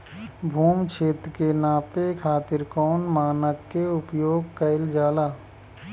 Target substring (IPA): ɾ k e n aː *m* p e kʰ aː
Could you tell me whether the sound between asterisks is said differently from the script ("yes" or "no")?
yes